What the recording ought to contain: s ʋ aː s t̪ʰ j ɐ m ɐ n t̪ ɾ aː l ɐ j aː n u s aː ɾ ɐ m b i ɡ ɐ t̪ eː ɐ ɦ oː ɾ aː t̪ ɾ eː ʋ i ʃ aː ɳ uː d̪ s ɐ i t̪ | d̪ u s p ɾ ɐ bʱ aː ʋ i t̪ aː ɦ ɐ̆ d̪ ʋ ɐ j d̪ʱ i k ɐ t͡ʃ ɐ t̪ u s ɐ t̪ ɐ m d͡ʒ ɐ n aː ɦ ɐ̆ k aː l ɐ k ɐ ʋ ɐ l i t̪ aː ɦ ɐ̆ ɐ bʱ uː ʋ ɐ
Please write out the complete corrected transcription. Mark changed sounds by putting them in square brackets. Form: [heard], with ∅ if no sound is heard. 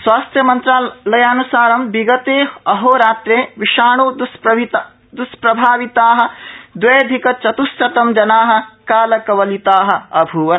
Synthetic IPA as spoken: s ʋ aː s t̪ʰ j ɐ m ɐ n t̪ ɾ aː l ɐ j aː n u s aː ɾ ɐ m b i ɡ ɐ t̪ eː ɐ ɦ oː ɾ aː t̪ ɾ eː ʋ i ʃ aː ɳ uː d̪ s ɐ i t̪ | d̪ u s p ɾ ɐ bʱ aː ʋ i t̪ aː ɦ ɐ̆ d̪ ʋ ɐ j d̪ʱ i k ɐ t͡ʃ ɐ t̪ u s ɐ t̪ ɐ m d͡ʒ ɐ n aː ɦ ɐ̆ k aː l ɐ k ɐ ʋ ɐ l i t̪ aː ɦ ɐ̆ ɐ bʱ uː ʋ ɐ